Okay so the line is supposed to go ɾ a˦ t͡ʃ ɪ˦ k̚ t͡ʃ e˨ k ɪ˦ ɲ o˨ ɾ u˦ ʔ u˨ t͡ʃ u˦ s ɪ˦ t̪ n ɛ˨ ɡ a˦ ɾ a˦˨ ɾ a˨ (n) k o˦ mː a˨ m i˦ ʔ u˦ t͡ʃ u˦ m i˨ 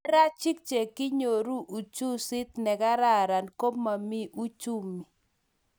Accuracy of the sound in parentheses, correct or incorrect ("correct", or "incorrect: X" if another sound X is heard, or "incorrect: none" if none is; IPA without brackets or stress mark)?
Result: correct